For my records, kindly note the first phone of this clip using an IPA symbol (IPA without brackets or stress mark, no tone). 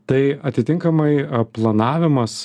t̪